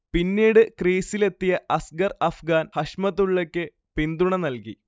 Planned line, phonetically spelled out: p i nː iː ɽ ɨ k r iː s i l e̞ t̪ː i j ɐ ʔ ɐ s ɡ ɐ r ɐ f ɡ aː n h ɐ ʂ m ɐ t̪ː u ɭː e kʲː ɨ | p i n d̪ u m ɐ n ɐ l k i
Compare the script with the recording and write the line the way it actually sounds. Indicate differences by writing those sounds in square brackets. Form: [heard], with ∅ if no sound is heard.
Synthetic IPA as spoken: p i nː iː ɽ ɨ k r iː s i l e̞ t̪ː i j ɐ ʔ ɐ s ɡ ɐ r ɐ f ɡ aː n h ɐ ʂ m ɐ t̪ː u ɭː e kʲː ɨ | p i n d̪ u [ɳ] ɐ n ɐ l k i

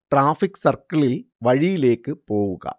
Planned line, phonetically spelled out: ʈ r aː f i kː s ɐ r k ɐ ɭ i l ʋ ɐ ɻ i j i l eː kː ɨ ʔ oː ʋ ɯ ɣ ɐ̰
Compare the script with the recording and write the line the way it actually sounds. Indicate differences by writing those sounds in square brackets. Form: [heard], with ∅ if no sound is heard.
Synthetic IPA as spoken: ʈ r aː f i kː s ɐ r k ɐ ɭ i l ʋ ɐ ɻ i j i l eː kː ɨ [p] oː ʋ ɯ ɣ ɐ̰

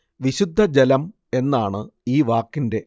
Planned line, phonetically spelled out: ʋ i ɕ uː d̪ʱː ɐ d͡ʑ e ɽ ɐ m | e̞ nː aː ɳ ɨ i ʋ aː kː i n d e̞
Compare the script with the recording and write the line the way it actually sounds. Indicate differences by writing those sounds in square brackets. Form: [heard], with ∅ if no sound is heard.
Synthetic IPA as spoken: ʋ i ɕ [u] d̪ʱː ɐ d͡ʑ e [l] ɐ m | e̞ nː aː ɳ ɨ [iː] ʋ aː kː i n d e̞

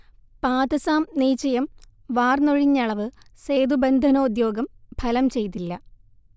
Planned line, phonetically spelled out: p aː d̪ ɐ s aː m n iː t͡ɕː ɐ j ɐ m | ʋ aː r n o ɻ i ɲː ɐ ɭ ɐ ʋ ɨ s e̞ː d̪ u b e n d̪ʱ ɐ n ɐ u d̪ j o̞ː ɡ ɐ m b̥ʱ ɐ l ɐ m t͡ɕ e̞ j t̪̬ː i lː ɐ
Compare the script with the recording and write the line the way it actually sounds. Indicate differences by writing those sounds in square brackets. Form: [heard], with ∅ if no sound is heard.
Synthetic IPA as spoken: p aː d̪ ɐ s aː m n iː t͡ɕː ɐ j ɐ m | ʋ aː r n o ɻ i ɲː ɐ ɭ ɐ ʋ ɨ s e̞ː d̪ u b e n d̪ʱ ɐ n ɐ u d̪ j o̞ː ɡ ɐ m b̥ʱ ɐ l ɐ m t͡ɕ e̞ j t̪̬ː i lː ɐ

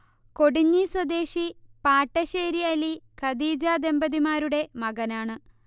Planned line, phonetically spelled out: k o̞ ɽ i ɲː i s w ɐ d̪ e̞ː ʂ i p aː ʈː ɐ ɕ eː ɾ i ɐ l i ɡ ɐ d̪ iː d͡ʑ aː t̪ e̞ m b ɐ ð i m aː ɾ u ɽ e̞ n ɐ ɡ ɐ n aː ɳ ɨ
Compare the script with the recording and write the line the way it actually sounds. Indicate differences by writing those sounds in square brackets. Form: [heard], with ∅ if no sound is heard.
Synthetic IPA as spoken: k o̞ ɽ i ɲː i s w ɐ d̪ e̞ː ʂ i p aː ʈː ɐ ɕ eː ɾ i ɐ l i [k] ɐ d̪ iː d͡ʑ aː [d̪] e̞ m b ɐ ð i m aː ɾ u ɽ e̞ [m] ɐ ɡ ɐ n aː ɳ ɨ

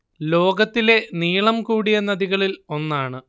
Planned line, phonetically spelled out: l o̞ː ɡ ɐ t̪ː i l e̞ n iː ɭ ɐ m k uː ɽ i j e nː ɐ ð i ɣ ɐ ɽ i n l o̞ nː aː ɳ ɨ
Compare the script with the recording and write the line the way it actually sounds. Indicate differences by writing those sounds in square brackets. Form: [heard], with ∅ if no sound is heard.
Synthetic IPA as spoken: l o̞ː ɡ ɐ t̪ː i l e̞ n iː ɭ ɐ m k uː ɽ i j e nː ɐ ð i ɣ ɐ [ɭ] i [∅] l o̞ nː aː ɳ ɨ

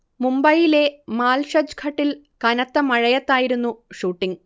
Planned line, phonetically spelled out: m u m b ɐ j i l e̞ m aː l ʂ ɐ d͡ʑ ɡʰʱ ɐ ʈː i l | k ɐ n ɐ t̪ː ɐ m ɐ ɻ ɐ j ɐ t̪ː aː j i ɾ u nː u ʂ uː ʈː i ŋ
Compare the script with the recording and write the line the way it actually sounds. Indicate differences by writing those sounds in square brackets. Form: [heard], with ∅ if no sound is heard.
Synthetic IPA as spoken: m u m b ɐ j i l e̞ m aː l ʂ ɐ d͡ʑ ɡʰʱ ɐ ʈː i l | k ɐ n ɐ t̪ː ɐ m ɐ ɻ ɐ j ɐ t̪ː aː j i ɾ u nː u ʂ uː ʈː i ŋ

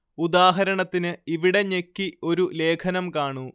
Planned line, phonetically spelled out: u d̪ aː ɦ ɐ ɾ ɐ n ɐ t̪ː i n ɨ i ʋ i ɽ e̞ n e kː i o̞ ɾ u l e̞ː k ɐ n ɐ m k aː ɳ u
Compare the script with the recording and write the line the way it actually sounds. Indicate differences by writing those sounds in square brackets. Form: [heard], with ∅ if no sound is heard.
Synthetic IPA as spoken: u d̪ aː ɦ ɐ ɾ ɐ [ɳ] ɐ t̪ː i n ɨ i ʋ i ɽ e̞ [ɲ] e kː i o̞ ɾ u l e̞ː [kʰ] ɐ n ɐ m k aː ɳ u

